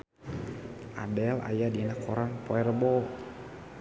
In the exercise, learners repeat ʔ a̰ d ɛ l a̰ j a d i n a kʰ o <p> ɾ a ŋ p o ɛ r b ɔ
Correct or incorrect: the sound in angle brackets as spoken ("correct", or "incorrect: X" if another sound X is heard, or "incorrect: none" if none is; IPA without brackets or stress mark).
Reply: incorrect: none